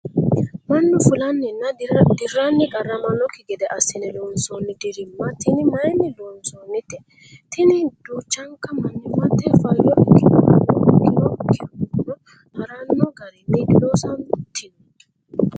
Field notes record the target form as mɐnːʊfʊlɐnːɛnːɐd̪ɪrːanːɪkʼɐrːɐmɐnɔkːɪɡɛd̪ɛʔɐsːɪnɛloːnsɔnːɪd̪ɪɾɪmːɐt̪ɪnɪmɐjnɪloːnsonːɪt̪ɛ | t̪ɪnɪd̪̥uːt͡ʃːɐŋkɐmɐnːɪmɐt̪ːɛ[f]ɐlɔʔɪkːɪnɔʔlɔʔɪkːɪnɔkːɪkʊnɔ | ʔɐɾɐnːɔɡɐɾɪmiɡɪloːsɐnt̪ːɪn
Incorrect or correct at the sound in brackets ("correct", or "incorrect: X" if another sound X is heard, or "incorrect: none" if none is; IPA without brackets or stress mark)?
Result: correct